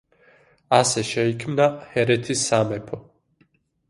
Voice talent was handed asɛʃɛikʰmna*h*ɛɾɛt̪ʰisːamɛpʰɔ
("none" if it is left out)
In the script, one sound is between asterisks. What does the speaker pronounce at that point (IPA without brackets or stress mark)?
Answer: h